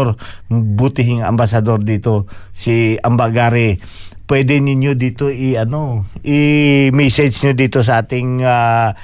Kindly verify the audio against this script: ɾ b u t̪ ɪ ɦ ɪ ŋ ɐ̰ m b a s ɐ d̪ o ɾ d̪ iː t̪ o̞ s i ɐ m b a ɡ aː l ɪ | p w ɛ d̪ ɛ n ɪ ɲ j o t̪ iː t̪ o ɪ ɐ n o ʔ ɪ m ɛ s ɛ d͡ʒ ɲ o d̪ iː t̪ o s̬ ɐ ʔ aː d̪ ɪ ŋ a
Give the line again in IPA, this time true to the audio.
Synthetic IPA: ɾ b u t̪ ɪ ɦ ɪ ŋ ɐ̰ m b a s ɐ d̪ o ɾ d̪ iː t̪ o̞ s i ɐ m b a ɡ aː ɾ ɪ | p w ɛ d̪ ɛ n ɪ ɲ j o d̪ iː t̪ o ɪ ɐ n o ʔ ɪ m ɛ s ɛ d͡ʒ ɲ o d̪ iː t̪ o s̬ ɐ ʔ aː t̪ ɪ ŋ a